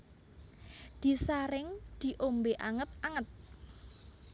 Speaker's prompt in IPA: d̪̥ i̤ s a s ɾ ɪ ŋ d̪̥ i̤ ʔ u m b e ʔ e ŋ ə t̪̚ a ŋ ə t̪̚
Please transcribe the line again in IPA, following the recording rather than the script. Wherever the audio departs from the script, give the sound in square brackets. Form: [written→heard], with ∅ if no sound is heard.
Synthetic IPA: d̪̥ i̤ s a [s→∅] ɾ ɪ ŋ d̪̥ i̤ ʔ [u→o] m b e ʔ [e→a] ŋ ə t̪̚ a ŋ ə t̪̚